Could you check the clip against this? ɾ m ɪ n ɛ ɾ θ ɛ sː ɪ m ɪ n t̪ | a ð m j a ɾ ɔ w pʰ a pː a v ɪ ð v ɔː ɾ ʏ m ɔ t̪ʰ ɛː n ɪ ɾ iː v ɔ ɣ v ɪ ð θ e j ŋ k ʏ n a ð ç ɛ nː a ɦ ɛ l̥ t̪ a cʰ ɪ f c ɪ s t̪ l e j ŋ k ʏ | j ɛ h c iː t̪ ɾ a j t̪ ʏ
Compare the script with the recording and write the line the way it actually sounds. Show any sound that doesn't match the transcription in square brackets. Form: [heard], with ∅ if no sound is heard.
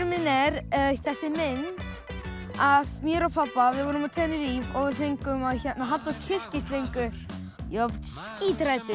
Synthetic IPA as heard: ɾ m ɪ n ɛ ɾ θ ɛ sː ɪ m ɪ n t̪ | a ð m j [ɛ] ɾ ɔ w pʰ a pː a v ɪ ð v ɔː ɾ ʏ m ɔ t̪ʰ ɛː n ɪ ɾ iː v ɔ ɣ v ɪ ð θ e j ŋ k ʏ [m] a ð ç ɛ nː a ɦ [a] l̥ t̪ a cʰ ɪ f c ɪ s t̪ l e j ŋ k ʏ | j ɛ [s] c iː t̪ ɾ a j t̪ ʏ

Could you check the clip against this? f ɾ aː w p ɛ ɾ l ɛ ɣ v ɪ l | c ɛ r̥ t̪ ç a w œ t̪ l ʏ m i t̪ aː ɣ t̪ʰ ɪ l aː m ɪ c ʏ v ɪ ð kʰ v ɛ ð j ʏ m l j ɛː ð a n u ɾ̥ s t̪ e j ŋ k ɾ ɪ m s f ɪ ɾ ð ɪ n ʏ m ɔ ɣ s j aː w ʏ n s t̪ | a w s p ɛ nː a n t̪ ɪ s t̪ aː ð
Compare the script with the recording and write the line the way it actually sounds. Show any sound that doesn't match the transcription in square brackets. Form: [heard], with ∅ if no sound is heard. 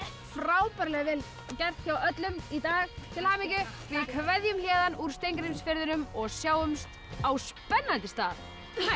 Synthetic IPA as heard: f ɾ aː w p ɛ ɾ l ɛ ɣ v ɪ l | c ɛ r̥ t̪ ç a w œ t̪ l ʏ m i t̪ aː ɣ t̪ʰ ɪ l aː m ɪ c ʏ v ɪ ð kʰ v ɛ ð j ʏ m l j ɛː ð a n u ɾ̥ s t̪ e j ŋ k ɾ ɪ m s f ɪ ɾ ð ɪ n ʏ m ɔ ɣ s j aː w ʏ [m] s t̪ | a w s p ɛ nː a n t̪ ɪ s t̪ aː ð

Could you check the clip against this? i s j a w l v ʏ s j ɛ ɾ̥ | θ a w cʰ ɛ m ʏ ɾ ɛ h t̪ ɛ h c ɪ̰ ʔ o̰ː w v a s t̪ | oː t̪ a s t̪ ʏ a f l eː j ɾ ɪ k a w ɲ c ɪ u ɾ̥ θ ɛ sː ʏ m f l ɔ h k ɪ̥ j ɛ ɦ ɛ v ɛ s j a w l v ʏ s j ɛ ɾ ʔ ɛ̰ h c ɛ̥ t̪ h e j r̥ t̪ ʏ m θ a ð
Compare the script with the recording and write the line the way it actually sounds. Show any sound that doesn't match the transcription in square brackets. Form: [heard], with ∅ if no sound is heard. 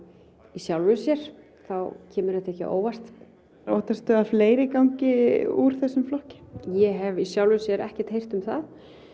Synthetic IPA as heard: i s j a w l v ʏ s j ɛ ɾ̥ | θ a w cʰ [ɛː] m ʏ ɾ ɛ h t̪ ɛ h c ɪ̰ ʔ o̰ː w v a s t̪ | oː t̪ a s t̪ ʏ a f l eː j ɾ ɪ k a w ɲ c ɪ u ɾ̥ θ ɛ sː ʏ m f l ɔ h [c] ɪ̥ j ɛ ɦ ɛ v [i] s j a w l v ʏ s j ɛ ɾ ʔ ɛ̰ h c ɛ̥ t̪ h e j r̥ t̪ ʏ m θ a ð

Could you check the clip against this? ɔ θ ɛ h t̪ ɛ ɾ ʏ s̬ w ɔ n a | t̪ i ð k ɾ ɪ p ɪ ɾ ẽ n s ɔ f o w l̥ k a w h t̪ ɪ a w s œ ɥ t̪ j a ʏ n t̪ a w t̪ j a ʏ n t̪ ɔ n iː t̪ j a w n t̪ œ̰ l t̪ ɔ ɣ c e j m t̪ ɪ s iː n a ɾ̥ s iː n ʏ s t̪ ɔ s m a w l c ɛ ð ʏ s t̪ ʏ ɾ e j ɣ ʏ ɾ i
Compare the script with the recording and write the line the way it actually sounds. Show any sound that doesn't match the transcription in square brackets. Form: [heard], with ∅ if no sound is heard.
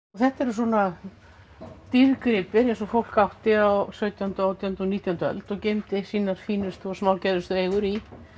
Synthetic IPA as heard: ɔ θ ɛ h t̪ ɛ ɾ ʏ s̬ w ɔ n a | t̪ i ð k ɾ ɪ p ɪ ɾ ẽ n s ɔ f o w l̥ k a w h t̪ ɪ a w s œ ɥ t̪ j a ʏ n t̪ a w t̪ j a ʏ n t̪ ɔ n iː t̪ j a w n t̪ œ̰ l t̪ ɔ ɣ c e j m t̪ ɪ s iː n a ɾ̥ [f] iː n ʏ s t̪ ɔ s m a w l c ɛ ð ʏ s t̪ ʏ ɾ e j ɣ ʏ ɾ i

